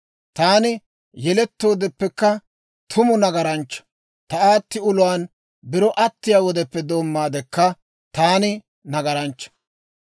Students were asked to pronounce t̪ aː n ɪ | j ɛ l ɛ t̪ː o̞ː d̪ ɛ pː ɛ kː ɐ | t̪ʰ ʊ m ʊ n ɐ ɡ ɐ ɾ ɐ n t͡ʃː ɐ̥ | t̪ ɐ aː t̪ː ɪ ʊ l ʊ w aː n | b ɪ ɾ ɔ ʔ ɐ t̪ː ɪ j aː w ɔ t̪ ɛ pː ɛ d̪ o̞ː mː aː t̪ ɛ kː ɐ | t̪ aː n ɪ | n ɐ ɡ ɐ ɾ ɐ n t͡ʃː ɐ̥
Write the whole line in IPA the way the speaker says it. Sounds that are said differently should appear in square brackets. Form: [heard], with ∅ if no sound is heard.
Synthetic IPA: t̪ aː n ɪ | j ɛ l ɛ t̪ː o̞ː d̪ ɛ pː ɛ kː ɐ | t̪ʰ ʊ m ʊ n ɐ ɡ ɐ ɾ ɐ n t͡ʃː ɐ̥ | t̪ ɐ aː t̪ː ɪ ʊ l ʊ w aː n | b ɪ ɾ ɔ ʔ ɐ t̪ː ɪ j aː w ɔ [d̪] ɛ pː ɛ d̪ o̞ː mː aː [d̪] ɛ kː ɐ | t̪ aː n ɪ | n ɐ ɡ ɐ ɾ ɐ n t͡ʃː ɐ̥